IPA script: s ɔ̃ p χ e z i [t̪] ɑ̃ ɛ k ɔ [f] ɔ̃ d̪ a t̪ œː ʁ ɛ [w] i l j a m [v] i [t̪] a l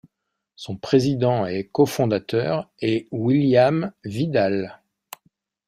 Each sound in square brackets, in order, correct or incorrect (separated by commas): incorrect, correct, correct, correct, incorrect